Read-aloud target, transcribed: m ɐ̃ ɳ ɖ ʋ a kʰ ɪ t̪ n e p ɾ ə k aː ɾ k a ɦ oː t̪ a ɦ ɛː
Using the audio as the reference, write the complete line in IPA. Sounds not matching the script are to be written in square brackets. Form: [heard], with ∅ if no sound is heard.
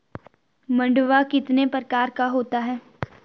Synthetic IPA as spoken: m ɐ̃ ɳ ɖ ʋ a [k] ɪ t̪ n e p ɾ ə k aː ɾ k a ɦ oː t̪ a ɦ ɛː